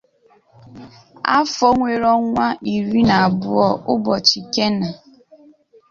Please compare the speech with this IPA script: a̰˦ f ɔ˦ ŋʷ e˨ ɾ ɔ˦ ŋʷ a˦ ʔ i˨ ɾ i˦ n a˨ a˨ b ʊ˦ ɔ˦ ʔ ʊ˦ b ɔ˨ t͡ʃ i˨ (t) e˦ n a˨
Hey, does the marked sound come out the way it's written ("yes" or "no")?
no